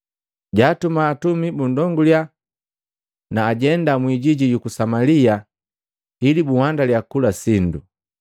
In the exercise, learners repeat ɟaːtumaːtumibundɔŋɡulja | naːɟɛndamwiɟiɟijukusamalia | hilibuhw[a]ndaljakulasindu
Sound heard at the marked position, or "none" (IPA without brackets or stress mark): a